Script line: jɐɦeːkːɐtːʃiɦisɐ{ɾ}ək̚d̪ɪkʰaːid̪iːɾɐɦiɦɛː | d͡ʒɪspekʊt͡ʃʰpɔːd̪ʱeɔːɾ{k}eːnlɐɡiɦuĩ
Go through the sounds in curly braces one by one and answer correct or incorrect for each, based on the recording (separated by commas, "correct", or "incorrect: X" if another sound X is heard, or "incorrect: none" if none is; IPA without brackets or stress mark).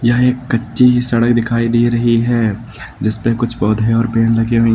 incorrect: ɽ, incorrect: p